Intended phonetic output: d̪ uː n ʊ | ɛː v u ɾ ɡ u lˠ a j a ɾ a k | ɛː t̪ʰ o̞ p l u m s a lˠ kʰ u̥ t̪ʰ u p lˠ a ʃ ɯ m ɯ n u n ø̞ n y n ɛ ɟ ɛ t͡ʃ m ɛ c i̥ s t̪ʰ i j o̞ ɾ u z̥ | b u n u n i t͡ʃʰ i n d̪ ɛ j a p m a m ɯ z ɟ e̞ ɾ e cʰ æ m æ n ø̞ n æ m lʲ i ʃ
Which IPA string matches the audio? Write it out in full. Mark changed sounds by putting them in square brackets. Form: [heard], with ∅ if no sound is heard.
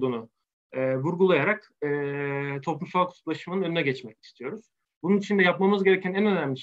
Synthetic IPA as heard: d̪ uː n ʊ | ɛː v u ɾ ɡ u lˠ a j a ɾ a k | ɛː t̪ʰ o̞ p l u m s a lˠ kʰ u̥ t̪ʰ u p lˠ a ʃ ɯ m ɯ n [ɯ] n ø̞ n y n ɛ ɟ ɛ t͡ʃ m ɛ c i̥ s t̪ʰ i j o̞ ɾ u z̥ | b u n u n i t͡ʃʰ i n d̪ ɛ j a p m a m ɯ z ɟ e̞ ɾ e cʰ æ [n] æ n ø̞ n æ m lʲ i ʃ